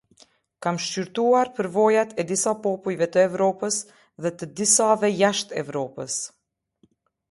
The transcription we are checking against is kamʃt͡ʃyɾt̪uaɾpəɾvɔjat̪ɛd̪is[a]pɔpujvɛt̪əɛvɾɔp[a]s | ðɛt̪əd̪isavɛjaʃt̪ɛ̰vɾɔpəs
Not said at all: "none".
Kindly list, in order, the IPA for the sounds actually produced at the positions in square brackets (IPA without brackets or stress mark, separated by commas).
a, ə